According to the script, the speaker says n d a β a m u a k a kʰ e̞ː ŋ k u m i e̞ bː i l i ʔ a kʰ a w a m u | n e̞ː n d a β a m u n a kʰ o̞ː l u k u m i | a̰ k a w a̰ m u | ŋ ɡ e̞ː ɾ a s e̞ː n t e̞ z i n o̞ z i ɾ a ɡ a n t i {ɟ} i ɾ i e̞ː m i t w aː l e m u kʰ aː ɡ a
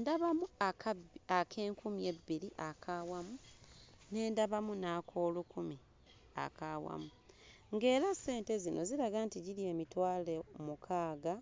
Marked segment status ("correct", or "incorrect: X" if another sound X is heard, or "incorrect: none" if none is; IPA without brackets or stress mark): correct